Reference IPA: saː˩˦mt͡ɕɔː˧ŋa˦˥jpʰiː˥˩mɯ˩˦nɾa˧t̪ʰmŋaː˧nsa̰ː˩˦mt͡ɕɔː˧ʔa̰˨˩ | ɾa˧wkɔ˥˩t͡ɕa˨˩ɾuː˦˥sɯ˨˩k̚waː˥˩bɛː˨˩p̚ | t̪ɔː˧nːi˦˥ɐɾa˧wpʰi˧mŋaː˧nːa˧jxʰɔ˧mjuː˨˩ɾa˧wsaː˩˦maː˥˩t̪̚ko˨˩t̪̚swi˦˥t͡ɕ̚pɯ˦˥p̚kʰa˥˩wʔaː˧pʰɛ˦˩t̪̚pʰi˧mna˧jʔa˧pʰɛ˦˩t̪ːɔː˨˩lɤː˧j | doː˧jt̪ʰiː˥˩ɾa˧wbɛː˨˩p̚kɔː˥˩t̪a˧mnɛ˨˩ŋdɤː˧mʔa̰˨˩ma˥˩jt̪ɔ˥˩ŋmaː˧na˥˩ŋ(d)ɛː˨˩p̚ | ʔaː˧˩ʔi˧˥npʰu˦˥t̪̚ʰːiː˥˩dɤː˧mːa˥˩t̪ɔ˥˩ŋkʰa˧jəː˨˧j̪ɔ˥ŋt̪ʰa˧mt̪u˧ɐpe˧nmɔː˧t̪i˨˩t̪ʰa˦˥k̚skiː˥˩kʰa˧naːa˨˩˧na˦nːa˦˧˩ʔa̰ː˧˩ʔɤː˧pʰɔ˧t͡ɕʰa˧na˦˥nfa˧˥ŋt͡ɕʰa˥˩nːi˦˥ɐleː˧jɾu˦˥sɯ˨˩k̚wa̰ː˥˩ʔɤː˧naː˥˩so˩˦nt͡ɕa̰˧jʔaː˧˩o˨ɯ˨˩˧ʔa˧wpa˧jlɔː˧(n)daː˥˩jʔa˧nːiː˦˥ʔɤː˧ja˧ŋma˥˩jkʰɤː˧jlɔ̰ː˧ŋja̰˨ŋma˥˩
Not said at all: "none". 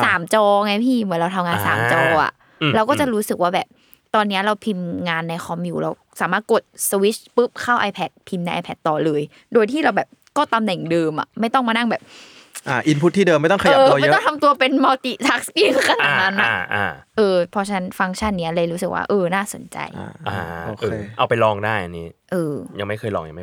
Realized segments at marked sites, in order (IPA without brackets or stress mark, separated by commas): b, ŋ